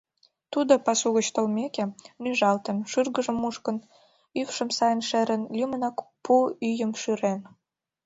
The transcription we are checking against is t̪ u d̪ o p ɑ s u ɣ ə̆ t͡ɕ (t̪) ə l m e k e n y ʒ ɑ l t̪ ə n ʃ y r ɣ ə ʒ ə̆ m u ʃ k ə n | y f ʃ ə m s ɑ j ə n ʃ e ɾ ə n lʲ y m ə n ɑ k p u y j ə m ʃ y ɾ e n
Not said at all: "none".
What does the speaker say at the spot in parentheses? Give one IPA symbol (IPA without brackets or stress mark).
t̪